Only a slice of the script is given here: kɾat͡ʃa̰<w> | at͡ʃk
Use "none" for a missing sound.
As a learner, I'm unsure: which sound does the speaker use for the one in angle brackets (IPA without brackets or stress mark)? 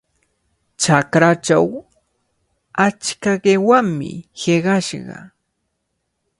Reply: w